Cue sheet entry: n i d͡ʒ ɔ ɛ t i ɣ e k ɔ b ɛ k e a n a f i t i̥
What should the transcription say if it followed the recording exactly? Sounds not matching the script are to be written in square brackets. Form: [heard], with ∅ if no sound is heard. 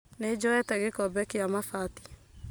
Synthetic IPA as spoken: n [e] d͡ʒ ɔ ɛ t [ɛ] ɣ e k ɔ b ɛ k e a [m] a f [a] t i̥